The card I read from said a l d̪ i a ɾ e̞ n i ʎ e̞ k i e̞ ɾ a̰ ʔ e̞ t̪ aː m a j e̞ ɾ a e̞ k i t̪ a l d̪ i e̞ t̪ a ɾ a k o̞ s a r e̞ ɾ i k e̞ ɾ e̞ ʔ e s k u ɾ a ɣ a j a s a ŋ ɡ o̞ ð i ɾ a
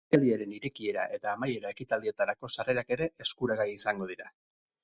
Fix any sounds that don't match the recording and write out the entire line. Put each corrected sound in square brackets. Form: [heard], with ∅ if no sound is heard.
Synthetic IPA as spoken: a l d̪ i a ɾ e̞ n i [ɾ] e̞ k i e̞ ɾ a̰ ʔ e̞ t̪ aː m a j e̞ ɾ a e̞ k i t̪ a l d̪ i e̞ t̪ a ɾ a k o̞ s a r e̞ ɾ [a] k e̞ ɾ e̞ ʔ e s k u ɾ a ɣ a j [i] s a ŋ ɡ o̞ ð i ɾ a